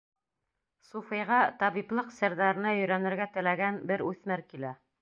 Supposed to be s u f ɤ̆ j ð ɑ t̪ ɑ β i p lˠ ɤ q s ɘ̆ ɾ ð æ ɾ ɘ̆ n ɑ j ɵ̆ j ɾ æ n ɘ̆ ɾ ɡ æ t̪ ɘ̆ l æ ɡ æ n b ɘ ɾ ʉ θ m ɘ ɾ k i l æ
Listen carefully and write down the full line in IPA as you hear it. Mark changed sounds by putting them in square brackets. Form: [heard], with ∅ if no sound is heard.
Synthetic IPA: s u f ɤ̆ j [ʁ] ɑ t̪ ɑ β i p lˠ ɤ q s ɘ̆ ɾ ð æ ɾ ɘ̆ n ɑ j ɵ̆ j ɾ æ n ɘ̆ ɾ ɡ æ t̪ ɘ̆ l æ ɡ æ n b ɘ ɾ ʉ θ m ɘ ɾ k i l æ